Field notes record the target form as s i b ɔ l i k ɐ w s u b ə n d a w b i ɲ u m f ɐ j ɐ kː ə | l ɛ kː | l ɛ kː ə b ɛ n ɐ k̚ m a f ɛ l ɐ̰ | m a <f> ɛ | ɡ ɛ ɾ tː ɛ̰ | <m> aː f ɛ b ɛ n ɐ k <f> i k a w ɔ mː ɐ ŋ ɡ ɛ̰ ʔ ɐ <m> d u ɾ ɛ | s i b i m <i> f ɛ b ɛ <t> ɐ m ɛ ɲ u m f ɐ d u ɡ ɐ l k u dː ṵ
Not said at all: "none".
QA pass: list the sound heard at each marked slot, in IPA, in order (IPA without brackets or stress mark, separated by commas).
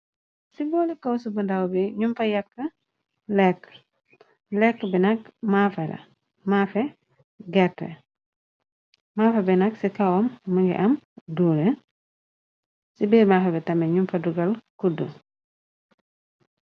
f, m, s, m, a, t